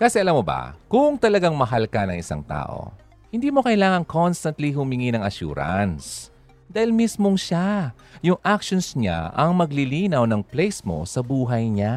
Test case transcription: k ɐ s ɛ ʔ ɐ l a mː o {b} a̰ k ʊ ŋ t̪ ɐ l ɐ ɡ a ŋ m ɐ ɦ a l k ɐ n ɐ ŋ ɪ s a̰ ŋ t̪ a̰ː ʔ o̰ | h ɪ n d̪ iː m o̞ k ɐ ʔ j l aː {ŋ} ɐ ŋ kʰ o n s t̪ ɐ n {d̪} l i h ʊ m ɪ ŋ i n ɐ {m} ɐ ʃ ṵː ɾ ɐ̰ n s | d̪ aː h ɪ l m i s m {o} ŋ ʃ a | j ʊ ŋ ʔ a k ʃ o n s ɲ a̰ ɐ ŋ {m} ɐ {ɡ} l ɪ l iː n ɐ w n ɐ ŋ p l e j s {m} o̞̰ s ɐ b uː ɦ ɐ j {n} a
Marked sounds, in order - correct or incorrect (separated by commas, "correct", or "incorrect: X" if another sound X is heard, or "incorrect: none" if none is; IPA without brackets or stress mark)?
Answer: correct, correct, incorrect: t̪, incorrect: ŋ, correct, correct, correct, correct, incorrect: ɲ